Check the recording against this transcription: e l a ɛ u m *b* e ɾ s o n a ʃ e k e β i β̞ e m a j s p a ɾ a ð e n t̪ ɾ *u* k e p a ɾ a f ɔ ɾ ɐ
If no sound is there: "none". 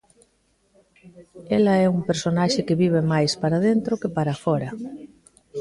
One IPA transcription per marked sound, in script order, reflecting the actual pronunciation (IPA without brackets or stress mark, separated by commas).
p, o